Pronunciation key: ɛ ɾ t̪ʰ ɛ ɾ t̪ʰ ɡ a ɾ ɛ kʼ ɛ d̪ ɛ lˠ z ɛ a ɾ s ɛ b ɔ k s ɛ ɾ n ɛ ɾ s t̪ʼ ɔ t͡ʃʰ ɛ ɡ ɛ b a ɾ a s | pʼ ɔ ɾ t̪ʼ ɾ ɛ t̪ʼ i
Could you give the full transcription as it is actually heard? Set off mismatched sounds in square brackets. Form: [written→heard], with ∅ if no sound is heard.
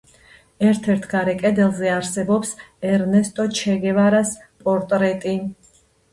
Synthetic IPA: ɛ ɾ t̪ʰ ɛ ɾ t̪ʰ ɡ a ɾ ɛ kʼ ɛ d̪ ɛ lˠ z ɛ a ɾ s ɛ b ɔ [k→p] s ɛ ɾ n ɛ [ɾ→∅] s t̪ʼ ɔ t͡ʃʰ ɛ ɡ ɛ [b→v] a ɾ a s | pʼ ɔ ɾ t̪ʼ ɾ ɛ t̪ʼ i